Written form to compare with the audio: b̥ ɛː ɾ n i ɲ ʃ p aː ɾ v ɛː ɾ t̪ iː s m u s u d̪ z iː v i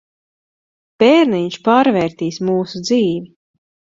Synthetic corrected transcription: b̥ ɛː ɾ n i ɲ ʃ p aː ɾ v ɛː ɾ t̪ iː s m uː s u d̪ z iː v i